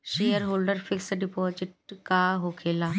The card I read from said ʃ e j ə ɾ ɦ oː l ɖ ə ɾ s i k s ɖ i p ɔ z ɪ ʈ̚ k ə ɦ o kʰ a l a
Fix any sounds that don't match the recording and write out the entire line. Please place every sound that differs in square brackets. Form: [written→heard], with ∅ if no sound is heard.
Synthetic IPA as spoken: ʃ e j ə ɾ ɦ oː l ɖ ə ɾ [s→f] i k s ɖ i p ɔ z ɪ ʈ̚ k [ə→a] ɦ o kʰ [a→e] l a